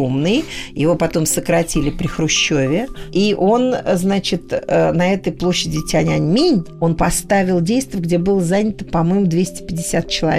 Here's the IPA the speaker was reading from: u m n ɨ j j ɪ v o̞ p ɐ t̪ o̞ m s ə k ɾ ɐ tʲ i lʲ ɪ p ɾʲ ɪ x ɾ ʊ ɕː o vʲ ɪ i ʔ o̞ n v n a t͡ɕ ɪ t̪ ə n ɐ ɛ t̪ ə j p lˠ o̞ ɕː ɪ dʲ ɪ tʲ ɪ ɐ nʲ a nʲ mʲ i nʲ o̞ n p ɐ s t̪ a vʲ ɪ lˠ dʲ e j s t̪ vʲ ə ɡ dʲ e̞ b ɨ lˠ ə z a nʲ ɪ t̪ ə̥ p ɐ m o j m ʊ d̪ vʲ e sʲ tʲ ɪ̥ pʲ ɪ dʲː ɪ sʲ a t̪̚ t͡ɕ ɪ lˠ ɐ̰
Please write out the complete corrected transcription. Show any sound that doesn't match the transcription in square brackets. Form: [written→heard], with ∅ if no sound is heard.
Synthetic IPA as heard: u m n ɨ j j ɪ v o̞ p ɐ t̪ o̞ m s ə k ɾ ɐ tʲ i lʲ ɪ p ɾʲ ɪ x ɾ ʊ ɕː o vʲ ɪ i ʔ o̞ n [v→z] n a t͡ɕ ɪ t̪ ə n ɐ ɛ t̪ ə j p lˠ o̞ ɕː ɪ dʲ ɪ tʲ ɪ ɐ nʲ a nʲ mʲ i nʲ o̞ n p ɐ s t̪ a vʲ ɪ lˠ dʲ e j s t̪ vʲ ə ɡ dʲ e̞ b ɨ lˠ ə z a nʲ ɪ t̪ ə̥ p ɐ m o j m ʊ d̪ vʲ e sʲ tʲ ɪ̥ pʲ ɪ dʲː ɪ sʲ a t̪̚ t͡ɕ ɪ lˠ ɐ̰